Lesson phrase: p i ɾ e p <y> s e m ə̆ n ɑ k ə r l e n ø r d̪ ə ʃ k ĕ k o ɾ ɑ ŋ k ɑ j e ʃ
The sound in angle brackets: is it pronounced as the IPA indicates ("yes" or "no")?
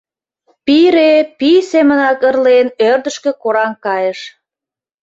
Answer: no